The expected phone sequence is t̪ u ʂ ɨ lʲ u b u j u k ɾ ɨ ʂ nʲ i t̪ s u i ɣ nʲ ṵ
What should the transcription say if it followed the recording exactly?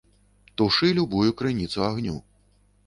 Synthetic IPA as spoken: t̪ u ʂ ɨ lʲ u b u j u k ɾ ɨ nʲ i t̪ s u a ɣ nʲ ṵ